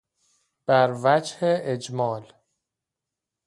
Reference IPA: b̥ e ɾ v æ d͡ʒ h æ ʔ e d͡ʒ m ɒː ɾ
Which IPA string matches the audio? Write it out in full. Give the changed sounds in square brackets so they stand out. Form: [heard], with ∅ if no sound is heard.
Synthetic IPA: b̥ [æ] ɾ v æ d͡ʒ h [e] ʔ e d͡ʒ m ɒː [l]